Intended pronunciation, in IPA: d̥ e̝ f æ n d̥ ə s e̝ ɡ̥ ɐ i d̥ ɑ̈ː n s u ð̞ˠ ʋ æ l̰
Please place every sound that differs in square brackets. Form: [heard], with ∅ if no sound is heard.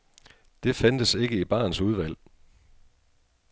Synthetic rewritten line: d̥ e̝ f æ n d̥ ə s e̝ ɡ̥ [ə] i [b̥] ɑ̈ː n s u ð̞ˠ ʋ æ l̰